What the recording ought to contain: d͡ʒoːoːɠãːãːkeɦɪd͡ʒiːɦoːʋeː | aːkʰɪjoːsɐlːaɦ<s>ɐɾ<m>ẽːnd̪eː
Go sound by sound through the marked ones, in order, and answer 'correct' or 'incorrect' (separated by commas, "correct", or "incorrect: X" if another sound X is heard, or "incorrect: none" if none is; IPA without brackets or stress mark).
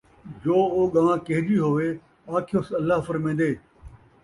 incorrect: f, correct